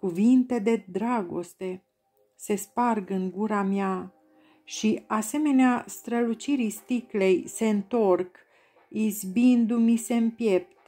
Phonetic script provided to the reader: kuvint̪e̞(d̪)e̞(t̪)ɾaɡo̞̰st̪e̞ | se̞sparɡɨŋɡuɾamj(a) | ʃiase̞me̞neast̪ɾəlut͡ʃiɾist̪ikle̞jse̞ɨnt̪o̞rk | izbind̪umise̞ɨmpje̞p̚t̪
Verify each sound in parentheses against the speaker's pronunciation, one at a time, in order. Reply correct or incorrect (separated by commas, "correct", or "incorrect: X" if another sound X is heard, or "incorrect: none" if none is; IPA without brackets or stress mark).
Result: correct, incorrect: d̪, correct